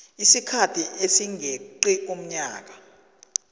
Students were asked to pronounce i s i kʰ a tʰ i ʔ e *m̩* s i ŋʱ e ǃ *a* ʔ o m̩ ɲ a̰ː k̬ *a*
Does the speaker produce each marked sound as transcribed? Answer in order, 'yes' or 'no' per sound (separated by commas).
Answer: no, no, yes